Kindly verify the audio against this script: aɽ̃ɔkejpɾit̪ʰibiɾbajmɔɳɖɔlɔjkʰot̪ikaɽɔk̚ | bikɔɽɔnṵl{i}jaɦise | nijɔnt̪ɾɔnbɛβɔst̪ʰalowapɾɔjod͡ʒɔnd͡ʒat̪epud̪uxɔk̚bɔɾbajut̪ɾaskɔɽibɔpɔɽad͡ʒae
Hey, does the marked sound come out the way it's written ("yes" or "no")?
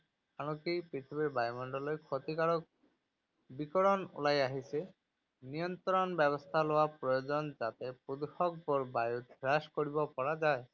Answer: no